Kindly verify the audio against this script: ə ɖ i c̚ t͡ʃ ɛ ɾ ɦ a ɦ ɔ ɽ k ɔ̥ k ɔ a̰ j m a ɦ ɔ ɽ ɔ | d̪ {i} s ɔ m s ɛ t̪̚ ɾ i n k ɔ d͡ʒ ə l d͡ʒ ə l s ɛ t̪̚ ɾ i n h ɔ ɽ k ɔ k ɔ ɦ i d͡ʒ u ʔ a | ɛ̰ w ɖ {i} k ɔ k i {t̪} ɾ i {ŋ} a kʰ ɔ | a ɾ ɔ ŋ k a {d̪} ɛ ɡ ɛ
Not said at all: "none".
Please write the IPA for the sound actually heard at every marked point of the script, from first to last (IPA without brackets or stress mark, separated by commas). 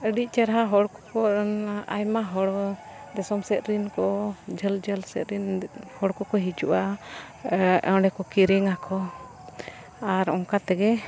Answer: ɛ, ɛ, none, ŋ, t̪